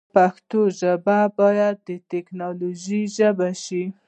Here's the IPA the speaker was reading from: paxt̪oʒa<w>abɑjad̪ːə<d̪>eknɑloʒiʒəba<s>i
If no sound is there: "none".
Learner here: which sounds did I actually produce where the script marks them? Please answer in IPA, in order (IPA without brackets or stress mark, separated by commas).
b, t̪, ʃ